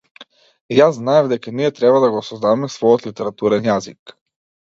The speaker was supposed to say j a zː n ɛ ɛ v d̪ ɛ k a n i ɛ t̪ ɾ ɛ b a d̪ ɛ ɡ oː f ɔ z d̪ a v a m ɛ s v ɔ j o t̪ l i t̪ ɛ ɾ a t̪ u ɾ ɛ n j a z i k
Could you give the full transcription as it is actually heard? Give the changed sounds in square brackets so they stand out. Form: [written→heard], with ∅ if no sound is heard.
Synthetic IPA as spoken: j a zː n [ɛ→a] ɛ v d̪ ɛ k a n i ɛ t̪ ɾ ɛ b a d̪ [ɛ→a] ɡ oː [f→s] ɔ z d̪ a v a m ɛ s v ɔ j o t̪ l i t̪ ɛ ɾ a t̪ u ɾ ɛ n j a z i k